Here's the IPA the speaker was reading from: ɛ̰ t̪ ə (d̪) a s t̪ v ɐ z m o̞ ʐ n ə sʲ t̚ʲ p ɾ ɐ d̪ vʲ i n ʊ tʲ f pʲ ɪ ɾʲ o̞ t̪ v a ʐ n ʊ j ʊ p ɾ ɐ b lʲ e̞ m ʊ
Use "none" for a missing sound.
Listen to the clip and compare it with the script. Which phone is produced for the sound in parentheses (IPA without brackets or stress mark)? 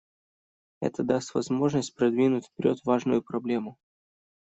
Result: d̪